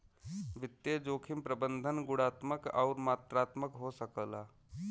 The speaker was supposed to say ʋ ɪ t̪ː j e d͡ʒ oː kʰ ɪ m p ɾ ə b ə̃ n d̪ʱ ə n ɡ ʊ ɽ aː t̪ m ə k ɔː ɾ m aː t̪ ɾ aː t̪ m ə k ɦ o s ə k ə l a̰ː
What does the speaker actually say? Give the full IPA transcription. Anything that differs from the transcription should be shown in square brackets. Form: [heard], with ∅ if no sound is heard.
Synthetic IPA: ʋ ɪ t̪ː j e d͡ʒ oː kʰ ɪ m p ɾ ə b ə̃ n d̪ʱ ə n ɡ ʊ ɽ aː t̪ m ə k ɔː ɾ m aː t̪ ɾ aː t̪ m ə k ɦ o s ə k ə l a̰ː